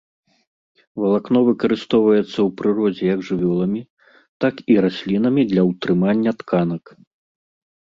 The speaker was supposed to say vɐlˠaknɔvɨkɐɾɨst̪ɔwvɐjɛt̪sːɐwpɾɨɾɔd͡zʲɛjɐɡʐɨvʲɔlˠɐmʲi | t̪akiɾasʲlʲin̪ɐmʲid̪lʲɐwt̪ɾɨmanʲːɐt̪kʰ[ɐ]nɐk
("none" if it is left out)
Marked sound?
a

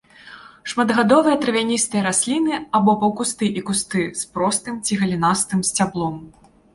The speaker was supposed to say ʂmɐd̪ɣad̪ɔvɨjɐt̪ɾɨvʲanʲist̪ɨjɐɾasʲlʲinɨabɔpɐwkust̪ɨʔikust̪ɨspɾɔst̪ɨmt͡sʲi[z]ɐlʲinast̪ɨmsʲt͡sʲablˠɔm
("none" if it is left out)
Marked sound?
ɣ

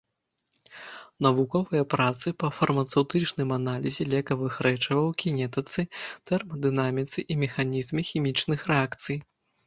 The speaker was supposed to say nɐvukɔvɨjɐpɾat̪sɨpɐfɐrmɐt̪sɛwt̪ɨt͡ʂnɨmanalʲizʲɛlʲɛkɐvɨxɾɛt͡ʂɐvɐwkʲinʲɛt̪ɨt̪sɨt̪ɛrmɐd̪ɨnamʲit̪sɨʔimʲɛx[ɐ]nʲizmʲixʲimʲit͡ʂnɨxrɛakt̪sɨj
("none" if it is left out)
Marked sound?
a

